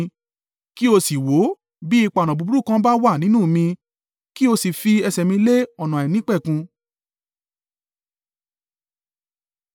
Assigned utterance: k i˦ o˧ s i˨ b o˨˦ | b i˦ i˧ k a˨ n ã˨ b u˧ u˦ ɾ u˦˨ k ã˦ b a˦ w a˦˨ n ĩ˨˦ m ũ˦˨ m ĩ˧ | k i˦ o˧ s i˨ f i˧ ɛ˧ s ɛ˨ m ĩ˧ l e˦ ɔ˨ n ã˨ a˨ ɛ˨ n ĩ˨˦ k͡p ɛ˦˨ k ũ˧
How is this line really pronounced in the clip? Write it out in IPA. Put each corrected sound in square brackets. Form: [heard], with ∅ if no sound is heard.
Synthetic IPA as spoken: k i˦ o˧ s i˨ [w] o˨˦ | b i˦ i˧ [k͡p] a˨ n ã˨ b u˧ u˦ ɾ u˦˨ k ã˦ b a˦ w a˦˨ n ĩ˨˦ [n] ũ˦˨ m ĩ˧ | k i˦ o˧ s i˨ f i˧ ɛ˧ s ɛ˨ m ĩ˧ l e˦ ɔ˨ n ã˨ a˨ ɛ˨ n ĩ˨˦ k͡p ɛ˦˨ k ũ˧